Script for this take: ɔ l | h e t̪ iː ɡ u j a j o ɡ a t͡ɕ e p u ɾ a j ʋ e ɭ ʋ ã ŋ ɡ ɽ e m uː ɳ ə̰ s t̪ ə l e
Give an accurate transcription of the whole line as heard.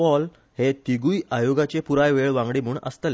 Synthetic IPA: ɔ l | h e t̪ i ɡ u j a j o ɡ a t͡ɕ e p u ɾ a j ʋ e ɭ ʋ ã ŋ ɡ ɽ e m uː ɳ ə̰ s t̪ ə l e